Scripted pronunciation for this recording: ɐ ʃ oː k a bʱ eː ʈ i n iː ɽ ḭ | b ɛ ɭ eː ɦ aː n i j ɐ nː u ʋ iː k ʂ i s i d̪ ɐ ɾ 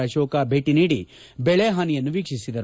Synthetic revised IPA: ɐ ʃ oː k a bʱ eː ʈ i n iː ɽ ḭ | b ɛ ɭ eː ɦ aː n i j ɐ nː u ʋ iː k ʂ i s i d̪ ɐ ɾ